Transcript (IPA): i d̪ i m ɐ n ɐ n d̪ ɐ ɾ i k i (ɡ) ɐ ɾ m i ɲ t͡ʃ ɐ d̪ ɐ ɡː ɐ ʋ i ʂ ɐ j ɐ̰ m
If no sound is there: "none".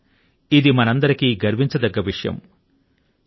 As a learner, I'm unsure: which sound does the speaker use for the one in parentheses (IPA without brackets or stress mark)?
ɡ